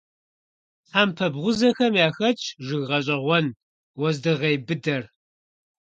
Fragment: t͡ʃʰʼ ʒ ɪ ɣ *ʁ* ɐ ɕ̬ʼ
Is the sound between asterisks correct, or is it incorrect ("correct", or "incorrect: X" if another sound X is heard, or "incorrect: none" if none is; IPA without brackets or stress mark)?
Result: correct